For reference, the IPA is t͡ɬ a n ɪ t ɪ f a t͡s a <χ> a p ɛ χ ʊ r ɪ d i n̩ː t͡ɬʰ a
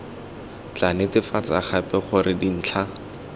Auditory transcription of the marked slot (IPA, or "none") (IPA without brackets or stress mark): χ